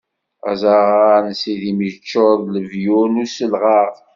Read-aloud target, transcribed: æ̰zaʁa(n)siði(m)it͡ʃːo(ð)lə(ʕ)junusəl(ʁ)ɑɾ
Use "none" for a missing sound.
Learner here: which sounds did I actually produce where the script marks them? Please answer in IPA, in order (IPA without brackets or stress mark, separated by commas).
n, m, ð, v, ʁ